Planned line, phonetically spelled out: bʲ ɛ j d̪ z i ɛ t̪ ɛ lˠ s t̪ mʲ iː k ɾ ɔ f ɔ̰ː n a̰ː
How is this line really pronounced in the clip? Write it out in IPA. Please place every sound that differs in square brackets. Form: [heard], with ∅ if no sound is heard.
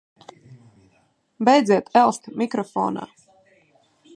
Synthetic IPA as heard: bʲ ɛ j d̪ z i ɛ t̪ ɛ lˠ s t̪ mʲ [i] k ɾ ɔ f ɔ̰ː n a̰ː